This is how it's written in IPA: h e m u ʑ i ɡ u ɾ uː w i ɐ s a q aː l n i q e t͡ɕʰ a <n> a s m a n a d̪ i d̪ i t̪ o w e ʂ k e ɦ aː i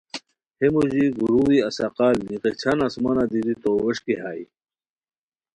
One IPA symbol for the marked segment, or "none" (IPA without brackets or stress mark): n